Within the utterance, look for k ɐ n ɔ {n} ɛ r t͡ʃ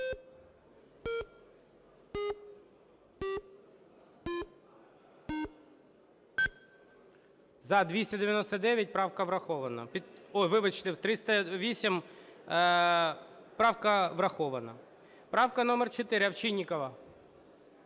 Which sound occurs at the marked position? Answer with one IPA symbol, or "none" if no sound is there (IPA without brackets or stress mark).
m